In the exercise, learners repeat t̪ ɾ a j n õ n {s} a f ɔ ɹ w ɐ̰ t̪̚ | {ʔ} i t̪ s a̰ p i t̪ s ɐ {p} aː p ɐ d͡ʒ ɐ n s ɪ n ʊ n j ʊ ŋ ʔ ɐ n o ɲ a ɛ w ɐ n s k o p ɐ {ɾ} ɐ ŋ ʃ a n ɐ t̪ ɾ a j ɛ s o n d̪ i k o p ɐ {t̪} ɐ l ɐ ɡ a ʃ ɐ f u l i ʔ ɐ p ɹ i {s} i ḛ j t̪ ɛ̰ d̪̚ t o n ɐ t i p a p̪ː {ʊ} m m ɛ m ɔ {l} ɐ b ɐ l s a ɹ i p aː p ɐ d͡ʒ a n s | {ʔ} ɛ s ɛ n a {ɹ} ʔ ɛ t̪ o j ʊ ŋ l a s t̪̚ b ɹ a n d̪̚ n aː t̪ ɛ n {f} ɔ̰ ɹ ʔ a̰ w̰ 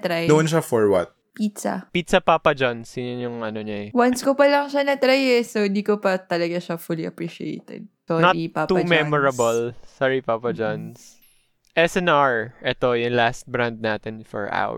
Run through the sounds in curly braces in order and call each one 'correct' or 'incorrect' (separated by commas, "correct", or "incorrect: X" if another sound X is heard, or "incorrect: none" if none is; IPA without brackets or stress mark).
incorrect: ʃ, incorrect: p, correct, incorrect: l, correct, incorrect: ʃ, incorrect: u, incorrect: ɹ, correct, correct, correct